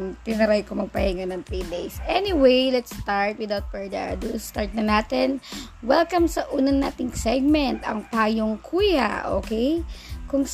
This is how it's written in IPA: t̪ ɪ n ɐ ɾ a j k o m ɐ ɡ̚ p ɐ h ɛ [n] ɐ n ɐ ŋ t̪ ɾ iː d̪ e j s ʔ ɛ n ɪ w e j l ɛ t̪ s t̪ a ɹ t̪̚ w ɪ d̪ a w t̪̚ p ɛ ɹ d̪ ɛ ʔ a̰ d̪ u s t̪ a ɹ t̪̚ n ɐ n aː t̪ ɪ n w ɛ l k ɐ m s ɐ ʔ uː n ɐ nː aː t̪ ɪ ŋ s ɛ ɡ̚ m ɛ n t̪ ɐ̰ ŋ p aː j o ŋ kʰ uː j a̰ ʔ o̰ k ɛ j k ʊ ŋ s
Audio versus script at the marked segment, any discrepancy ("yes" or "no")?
yes